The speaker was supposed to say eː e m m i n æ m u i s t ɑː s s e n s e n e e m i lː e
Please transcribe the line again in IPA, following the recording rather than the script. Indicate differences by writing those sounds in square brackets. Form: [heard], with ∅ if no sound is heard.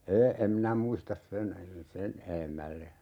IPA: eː e m m i n æ m u i s t [ɑ] s s e n s e n e e m [æ] lː e